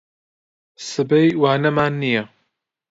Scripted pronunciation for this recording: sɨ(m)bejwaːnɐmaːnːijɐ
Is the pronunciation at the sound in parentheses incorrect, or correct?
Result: incorrect: none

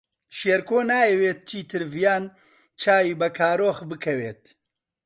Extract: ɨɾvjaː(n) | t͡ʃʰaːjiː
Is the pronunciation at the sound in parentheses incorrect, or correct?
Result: correct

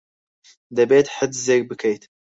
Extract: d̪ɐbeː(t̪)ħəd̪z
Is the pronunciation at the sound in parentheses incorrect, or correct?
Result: correct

